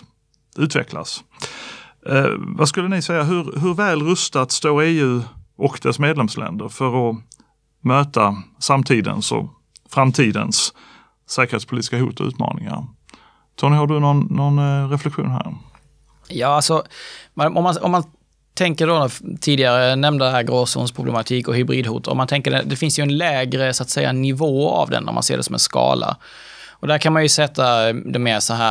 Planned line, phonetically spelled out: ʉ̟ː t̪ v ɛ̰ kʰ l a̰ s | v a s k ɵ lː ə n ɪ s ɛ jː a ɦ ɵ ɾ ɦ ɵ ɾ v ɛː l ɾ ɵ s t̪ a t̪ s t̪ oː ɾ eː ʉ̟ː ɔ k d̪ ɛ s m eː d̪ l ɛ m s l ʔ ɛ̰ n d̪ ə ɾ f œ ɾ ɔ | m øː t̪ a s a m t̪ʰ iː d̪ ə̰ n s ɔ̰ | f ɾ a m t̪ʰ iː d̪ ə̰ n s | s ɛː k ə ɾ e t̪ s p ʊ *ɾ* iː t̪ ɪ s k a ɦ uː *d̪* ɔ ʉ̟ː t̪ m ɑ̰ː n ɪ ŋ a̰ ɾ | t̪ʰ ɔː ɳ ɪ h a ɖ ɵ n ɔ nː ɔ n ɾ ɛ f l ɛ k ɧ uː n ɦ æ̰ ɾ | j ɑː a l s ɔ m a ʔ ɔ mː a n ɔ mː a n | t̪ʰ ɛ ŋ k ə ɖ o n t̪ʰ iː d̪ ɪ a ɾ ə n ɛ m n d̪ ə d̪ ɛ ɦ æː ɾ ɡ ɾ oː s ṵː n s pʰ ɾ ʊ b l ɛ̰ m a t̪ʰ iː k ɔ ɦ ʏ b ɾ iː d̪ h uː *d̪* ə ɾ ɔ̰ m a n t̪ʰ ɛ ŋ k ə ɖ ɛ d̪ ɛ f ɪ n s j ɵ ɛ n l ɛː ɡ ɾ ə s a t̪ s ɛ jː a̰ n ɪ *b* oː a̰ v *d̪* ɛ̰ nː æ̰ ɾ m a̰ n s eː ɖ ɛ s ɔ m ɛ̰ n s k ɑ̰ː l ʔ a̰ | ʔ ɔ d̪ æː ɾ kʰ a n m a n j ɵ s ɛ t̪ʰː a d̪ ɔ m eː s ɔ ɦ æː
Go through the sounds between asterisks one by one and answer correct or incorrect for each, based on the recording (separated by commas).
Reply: incorrect, incorrect, incorrect, incorrect, correct